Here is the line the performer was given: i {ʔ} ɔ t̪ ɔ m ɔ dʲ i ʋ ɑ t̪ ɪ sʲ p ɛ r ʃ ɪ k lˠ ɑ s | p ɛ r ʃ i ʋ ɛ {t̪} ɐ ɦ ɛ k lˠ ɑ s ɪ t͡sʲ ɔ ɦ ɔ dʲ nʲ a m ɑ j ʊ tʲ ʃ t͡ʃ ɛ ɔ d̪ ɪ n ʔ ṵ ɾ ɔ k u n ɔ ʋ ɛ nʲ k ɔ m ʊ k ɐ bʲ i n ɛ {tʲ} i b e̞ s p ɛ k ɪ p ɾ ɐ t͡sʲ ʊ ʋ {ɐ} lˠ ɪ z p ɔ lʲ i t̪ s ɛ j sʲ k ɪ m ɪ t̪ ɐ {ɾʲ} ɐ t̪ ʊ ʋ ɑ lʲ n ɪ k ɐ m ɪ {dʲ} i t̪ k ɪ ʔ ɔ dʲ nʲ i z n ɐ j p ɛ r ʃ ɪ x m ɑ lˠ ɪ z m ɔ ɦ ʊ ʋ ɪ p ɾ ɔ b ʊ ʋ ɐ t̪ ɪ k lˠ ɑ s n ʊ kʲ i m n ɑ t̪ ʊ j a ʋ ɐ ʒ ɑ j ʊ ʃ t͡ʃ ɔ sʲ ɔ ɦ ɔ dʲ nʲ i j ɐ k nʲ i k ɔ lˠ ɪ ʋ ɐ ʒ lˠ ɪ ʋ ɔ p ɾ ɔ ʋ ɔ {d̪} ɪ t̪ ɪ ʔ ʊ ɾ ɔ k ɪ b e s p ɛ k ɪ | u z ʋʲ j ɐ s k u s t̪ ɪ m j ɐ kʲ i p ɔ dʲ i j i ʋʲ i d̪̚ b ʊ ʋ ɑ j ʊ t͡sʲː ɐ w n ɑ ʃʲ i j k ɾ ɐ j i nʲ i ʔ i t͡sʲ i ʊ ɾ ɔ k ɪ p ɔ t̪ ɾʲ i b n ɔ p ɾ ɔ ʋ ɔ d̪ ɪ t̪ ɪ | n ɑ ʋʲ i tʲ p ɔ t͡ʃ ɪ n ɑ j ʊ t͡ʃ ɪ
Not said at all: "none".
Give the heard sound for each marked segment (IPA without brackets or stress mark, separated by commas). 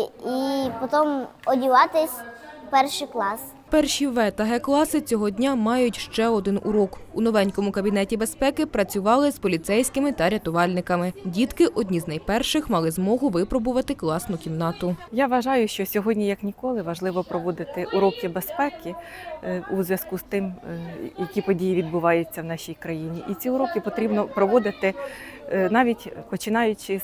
p, t̪, tʲ, ɑ, ɾʲ, dʲ, d̪